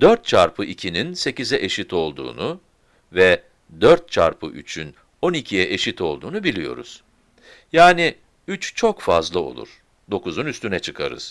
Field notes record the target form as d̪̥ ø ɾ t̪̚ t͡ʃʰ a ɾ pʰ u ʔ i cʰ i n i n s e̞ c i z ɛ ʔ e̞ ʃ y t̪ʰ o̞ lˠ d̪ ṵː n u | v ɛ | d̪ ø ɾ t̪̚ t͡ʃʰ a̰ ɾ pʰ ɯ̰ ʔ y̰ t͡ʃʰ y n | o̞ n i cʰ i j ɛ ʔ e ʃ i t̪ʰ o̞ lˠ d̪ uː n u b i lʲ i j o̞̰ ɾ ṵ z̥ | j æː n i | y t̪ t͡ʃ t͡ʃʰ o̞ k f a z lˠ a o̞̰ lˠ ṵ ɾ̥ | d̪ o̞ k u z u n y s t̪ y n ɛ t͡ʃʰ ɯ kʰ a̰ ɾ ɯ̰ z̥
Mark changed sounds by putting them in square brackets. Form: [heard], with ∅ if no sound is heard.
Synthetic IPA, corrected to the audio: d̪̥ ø ɾ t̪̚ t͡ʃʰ a ɾ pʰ [ɯ] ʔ i cʰ i n i n s e̞ c i z ɛ ʔ e̞ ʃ [i] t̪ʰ o̞ lˠ d̪ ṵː n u | v ɛ | d̪ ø ɾ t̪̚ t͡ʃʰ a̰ ɾ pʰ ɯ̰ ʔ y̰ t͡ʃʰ y n | o̞ n i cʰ i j ɛ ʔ e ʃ i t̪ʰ o̞ lˠ d̪ uː n u b i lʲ i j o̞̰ ɾ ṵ z̥ | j [aː] n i | y [∅] t͡ʃ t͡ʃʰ o̞ k f a z lˠ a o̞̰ lˠ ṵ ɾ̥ | d̪ o̞ k u z u n y s t̪ y n ɛ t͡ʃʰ ɯ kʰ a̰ ɾ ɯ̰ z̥